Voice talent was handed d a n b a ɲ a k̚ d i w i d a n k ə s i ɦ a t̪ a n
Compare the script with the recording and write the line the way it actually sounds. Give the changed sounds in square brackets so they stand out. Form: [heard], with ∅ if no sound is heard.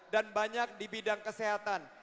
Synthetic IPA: d a n b a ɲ a k̚ d i [b] i d a [ŋ] k ə s [e] ɦ a t̪ a n